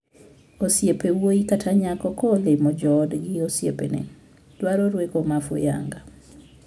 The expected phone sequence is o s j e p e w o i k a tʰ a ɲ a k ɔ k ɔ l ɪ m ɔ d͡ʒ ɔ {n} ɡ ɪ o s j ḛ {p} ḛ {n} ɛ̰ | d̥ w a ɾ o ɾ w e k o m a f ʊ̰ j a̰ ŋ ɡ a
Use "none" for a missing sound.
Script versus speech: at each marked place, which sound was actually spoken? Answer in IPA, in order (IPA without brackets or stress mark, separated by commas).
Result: d, p, n